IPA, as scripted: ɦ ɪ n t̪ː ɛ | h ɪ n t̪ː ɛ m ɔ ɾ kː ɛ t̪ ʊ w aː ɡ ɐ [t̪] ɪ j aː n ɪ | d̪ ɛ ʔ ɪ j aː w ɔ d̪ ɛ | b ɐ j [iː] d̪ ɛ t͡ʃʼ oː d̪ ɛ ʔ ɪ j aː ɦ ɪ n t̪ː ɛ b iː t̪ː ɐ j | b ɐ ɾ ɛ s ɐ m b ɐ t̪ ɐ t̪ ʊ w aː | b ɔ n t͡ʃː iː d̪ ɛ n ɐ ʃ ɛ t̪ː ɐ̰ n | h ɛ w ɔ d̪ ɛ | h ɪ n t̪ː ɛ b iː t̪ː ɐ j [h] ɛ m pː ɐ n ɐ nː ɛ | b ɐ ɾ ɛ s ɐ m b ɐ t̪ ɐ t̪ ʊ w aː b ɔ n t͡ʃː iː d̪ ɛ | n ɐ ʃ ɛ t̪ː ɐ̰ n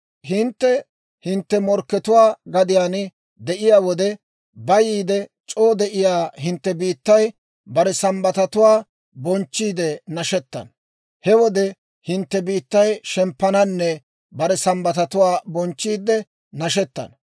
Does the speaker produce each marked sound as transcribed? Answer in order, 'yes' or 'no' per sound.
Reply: no, yes, no

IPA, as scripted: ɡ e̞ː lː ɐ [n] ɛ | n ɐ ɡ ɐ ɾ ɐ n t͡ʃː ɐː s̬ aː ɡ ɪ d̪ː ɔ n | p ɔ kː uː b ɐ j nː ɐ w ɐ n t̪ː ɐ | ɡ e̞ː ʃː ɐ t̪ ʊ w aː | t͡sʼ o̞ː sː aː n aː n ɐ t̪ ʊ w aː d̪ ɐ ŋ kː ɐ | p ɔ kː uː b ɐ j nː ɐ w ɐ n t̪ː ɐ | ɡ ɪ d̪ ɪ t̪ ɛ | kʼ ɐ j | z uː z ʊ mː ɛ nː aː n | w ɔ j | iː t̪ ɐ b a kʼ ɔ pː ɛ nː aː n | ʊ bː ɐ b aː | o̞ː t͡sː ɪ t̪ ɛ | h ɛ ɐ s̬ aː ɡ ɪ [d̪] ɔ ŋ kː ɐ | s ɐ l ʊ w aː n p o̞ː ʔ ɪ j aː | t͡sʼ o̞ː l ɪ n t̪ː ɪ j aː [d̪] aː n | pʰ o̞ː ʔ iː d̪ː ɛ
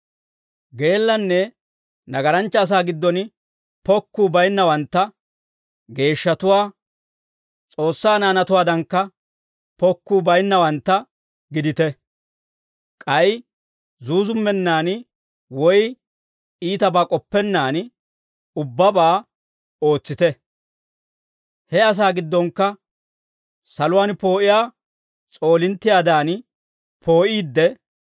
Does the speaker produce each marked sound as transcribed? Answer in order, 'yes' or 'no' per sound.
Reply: no, no, yes

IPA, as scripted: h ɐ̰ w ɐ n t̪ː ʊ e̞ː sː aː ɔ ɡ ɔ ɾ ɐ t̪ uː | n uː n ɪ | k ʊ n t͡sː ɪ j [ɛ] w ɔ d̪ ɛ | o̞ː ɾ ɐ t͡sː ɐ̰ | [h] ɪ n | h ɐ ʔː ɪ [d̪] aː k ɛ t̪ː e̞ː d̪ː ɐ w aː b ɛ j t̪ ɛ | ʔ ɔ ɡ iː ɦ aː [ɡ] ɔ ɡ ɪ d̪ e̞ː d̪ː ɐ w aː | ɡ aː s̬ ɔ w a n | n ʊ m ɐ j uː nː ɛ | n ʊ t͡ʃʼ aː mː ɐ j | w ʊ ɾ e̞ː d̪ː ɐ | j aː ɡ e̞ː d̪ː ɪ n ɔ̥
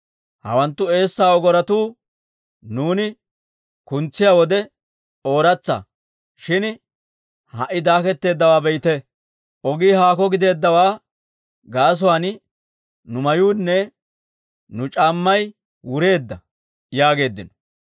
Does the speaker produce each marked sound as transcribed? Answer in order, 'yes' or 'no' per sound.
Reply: no, no, yes, no

